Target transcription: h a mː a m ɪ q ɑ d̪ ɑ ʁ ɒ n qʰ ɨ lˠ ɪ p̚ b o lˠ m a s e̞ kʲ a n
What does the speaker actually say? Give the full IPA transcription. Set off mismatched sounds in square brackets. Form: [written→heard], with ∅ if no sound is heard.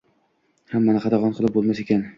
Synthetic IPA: h a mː a [m→n] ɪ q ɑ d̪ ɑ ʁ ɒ n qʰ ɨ lˠ ɪ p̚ b o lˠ m a s e̞ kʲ a n